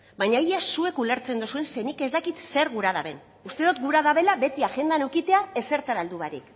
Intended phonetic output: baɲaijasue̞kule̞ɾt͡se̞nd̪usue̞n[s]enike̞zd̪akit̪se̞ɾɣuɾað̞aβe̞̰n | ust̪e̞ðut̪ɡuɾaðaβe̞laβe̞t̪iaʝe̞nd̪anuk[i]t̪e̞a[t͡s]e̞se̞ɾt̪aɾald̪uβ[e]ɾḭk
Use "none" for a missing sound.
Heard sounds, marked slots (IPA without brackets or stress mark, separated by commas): s, i, none, a